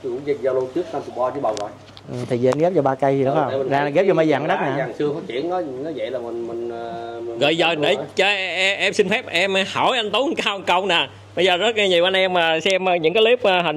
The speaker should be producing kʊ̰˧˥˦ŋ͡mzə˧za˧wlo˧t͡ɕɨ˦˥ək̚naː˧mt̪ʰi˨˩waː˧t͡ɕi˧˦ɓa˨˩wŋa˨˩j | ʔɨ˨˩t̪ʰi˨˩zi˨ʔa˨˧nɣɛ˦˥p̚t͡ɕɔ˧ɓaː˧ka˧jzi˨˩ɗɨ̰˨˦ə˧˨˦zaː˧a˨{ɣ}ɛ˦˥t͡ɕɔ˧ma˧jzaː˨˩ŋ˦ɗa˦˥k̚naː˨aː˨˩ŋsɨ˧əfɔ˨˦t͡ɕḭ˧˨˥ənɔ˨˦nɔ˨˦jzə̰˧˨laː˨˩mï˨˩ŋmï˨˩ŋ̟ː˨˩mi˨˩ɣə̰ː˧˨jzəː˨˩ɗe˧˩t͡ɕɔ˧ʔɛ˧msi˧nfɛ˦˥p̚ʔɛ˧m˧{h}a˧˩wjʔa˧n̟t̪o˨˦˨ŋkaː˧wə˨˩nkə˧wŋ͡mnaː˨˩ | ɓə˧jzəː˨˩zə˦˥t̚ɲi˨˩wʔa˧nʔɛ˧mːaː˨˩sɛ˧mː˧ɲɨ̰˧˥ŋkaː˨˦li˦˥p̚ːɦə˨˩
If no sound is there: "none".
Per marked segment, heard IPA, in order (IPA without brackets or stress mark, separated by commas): ɣ, h